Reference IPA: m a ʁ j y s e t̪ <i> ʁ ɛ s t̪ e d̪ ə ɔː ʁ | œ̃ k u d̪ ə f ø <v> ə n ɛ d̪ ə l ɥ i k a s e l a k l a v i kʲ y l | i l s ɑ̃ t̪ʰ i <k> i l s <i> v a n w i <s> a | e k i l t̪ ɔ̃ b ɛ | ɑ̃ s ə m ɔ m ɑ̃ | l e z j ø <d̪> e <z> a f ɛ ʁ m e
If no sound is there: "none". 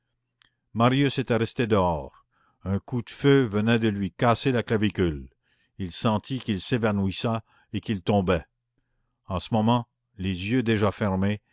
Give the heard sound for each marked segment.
ɛ, v, k, e, s, d̪, ʒ

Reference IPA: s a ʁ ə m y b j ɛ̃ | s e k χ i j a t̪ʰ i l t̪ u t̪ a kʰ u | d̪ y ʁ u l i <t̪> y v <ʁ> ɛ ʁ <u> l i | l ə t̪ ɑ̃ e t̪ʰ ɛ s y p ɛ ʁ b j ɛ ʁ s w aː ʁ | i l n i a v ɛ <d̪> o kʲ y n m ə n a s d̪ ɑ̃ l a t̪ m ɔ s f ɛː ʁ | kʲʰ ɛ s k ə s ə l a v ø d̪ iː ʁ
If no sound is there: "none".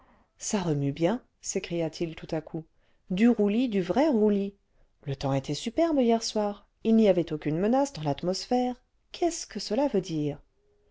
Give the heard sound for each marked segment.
d̪, ʁ, u, t̪

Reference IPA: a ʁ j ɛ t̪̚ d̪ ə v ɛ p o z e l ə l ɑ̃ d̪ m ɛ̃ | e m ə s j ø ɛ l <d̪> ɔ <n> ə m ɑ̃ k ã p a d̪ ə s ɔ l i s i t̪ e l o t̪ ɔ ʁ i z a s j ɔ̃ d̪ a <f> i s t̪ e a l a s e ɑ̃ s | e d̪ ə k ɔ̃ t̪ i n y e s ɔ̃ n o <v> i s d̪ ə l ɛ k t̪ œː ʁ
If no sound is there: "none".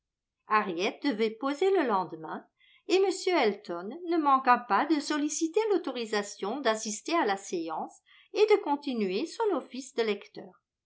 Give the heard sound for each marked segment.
t̪, nː, s, f

